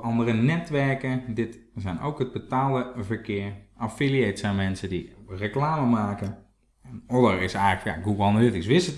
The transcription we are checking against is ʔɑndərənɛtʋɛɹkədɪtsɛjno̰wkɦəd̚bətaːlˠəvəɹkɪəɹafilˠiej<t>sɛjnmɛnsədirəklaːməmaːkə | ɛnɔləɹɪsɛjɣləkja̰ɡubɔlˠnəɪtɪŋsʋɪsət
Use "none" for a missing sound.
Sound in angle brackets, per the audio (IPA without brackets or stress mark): t